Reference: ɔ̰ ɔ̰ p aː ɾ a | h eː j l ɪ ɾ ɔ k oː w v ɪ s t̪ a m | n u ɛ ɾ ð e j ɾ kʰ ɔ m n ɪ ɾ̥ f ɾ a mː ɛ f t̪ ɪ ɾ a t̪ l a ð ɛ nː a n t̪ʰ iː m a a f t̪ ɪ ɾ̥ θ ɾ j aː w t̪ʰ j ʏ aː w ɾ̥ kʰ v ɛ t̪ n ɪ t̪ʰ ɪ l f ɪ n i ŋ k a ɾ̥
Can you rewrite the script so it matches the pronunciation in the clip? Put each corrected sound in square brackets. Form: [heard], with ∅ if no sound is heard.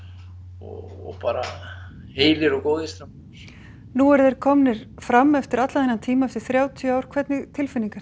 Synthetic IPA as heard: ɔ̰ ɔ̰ p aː ɾ a | h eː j l ɪ ɾ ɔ k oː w [ð] ɪ s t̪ a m | n u ɛ ɾ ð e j ɾ kʰ ɔ m n ɪ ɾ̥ f ɾ a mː ɛ f t̪ ɪ ɾ a t̪ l a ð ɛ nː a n t̪ʰ iː m a [ɛ] f t̪ ɪ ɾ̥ θ ɾ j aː w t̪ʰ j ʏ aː w ɾ̥ kʰ v ɛ t̪ n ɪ t̪ʰ ɪ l f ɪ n i ŋ k a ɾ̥